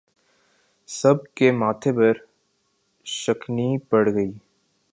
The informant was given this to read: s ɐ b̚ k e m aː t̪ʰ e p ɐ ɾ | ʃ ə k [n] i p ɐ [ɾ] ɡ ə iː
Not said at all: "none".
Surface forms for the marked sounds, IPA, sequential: n, ɽ

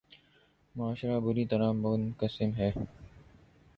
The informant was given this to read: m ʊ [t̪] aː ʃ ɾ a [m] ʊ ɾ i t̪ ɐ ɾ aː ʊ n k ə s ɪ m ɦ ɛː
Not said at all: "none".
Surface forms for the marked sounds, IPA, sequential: none, b

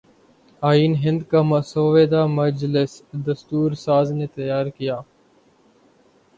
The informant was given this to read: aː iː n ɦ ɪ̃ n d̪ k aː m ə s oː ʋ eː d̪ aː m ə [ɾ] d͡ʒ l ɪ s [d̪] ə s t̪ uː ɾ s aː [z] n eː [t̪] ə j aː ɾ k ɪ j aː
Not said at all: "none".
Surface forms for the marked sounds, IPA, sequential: none, d̪, z, t̪

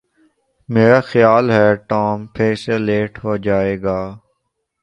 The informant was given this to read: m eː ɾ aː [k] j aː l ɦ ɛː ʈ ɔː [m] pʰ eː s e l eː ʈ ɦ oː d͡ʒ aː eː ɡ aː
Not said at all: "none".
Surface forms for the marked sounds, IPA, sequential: x, m

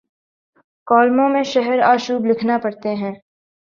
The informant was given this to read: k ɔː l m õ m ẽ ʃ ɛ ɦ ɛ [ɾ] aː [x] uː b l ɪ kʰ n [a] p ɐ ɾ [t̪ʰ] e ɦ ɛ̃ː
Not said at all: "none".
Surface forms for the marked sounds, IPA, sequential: ɾ, ʃ, a, t̪

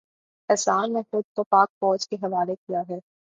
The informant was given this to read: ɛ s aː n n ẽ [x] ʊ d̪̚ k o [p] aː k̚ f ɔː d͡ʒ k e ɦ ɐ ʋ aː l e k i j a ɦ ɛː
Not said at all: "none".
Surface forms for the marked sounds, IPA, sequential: x, p

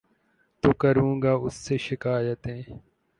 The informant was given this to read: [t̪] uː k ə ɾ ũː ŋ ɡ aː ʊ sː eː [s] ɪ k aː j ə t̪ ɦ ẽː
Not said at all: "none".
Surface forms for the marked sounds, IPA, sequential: t̪, ʃ

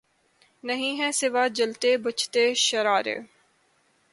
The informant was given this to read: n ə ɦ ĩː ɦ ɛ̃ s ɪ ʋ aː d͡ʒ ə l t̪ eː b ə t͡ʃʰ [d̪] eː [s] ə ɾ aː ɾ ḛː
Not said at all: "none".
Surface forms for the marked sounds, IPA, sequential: t̪, ʃ

